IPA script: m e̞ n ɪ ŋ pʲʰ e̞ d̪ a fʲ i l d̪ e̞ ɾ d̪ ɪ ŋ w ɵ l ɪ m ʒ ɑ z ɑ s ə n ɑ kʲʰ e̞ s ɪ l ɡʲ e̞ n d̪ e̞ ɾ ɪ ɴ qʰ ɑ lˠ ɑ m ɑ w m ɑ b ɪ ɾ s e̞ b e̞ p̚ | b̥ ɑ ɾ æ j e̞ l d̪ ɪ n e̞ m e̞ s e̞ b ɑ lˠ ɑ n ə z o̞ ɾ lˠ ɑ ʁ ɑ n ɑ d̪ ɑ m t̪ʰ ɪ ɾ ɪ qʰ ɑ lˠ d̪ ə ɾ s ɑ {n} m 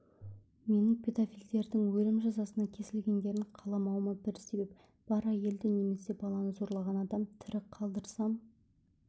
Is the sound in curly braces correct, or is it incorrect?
incorrect